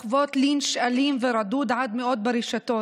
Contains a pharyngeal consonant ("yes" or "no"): yes